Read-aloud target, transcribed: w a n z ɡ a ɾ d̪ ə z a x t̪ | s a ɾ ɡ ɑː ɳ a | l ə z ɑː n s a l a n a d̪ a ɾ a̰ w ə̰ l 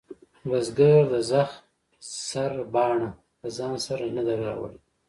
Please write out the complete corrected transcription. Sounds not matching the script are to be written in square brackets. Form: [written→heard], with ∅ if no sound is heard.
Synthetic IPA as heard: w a [n→∅] z ɡ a ɾ d̪ ə z a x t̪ | s a ɾ [ɡ→b] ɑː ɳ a | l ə z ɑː n s a [l→ɾ] a n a d̪ a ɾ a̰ w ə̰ l